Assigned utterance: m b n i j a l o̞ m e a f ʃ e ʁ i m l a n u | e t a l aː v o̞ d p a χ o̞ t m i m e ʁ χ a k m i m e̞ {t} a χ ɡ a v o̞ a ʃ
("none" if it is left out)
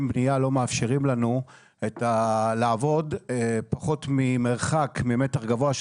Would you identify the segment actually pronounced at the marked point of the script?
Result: t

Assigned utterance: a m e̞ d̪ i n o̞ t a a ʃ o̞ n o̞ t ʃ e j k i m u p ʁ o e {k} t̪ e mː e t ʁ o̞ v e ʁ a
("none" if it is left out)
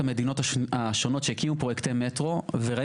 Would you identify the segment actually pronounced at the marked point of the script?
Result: k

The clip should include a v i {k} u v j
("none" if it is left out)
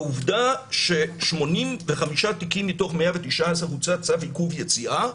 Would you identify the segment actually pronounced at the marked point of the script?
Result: k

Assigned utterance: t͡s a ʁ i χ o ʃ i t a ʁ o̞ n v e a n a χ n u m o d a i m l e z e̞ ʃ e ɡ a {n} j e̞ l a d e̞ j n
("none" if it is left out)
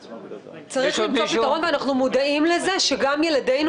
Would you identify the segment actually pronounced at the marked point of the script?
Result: m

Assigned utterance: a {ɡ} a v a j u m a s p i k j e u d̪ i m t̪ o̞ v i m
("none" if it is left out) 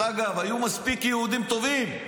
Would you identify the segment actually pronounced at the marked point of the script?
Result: ɡ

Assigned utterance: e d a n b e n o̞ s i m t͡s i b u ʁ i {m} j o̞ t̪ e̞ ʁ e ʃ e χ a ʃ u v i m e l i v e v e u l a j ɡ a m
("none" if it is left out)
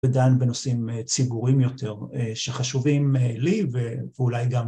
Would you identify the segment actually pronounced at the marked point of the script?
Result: m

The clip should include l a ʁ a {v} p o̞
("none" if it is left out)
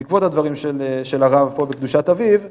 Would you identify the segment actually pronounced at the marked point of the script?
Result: v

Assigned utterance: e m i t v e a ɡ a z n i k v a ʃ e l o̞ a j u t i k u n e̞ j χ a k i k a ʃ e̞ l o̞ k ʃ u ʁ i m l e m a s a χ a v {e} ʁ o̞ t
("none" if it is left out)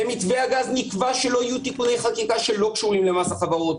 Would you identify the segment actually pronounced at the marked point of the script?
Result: a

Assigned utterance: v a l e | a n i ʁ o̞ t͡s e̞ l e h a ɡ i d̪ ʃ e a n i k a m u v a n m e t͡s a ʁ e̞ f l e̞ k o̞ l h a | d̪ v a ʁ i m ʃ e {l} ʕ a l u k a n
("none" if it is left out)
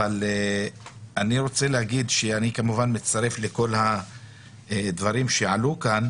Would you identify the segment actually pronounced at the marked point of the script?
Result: none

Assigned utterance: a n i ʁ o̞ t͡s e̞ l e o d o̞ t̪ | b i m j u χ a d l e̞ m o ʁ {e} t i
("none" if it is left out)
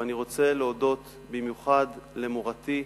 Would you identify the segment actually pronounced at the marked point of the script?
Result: a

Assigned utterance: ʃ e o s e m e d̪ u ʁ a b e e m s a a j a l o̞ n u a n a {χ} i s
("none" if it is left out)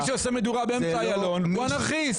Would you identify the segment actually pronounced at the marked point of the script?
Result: χ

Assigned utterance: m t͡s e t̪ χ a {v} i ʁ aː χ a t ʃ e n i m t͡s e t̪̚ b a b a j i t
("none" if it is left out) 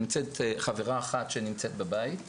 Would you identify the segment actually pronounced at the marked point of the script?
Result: v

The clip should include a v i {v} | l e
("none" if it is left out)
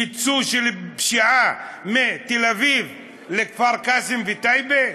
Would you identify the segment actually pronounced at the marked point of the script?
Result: v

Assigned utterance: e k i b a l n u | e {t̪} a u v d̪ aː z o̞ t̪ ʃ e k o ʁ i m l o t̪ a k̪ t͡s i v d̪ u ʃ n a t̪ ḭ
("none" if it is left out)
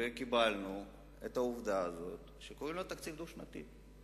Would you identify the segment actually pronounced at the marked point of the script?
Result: t̪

